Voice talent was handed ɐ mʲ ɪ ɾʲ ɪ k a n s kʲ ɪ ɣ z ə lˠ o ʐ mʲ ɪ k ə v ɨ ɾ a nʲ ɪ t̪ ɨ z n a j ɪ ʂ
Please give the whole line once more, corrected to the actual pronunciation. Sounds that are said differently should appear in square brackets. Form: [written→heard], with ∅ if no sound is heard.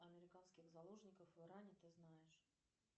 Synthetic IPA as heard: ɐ mʲ ɪ ɾʲ ɪ k a n s kʲ ɪ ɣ z [ə→ɐ] lˠ o ʐ [mʲ→nʲ] ɪ k ə [v→f] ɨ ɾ a nʲ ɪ t̪ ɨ z n a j ɪ ʂ